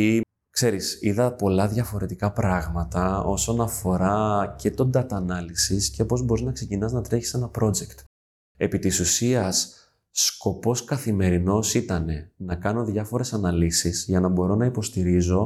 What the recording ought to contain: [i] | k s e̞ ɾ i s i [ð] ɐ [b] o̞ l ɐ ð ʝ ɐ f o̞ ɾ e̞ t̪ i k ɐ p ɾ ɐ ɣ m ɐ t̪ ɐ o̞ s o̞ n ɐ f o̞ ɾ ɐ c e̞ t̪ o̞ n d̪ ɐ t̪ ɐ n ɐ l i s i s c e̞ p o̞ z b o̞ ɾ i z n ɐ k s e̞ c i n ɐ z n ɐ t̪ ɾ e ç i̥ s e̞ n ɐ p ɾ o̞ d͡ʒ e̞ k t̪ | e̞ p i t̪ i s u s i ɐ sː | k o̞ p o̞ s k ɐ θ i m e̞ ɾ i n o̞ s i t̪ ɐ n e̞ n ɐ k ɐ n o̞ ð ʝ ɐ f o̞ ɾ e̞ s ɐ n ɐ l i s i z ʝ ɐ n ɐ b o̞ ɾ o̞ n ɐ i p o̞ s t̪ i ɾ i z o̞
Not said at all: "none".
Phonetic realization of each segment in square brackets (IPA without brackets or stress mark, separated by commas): i, ð, p